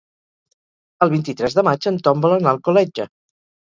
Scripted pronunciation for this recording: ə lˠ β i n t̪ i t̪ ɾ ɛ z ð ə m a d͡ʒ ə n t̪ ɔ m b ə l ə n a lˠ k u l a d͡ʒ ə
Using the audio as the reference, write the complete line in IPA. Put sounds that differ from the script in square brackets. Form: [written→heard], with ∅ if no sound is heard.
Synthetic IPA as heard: ə lˠ β i n t̪ i t̪ ɾ ɛ z ð ə m a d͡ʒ ə n t̪ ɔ m b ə l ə n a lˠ k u l [a→ɛ] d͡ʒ ə